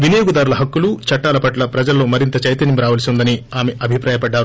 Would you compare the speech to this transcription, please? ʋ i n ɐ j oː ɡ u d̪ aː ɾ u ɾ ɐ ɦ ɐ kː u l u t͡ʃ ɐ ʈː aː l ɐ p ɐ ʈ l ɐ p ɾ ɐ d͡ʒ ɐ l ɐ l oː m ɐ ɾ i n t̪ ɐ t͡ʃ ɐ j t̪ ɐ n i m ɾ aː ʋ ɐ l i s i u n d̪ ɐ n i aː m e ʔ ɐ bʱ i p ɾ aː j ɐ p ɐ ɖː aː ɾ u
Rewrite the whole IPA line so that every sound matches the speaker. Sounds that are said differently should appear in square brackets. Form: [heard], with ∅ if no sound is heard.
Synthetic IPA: ʋ i n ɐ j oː ɡ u d̪ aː ɾ u [l] ɐ ɦ ɐ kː u l u t͡ʃ ɐ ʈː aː l ɐ p ɐ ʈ l ɐ p ɾ ɐ d͡ʒ ɐ l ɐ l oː m ɐ ɾ i n t̪ ɐ t͡ʃ ɐ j t̪ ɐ n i m ɾ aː ʋ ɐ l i s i u n d̪ ɐ n i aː m e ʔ ɐ bʱ i p ɾ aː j ɐ p ɐ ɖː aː ɾ u